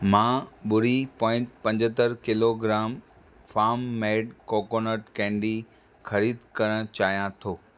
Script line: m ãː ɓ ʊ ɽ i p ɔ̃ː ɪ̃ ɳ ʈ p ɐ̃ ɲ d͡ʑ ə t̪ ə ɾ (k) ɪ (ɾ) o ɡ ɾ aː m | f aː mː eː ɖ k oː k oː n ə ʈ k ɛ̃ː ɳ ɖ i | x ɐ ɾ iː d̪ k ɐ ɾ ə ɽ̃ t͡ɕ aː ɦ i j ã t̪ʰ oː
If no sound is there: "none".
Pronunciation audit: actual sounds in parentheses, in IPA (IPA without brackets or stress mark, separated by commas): k, l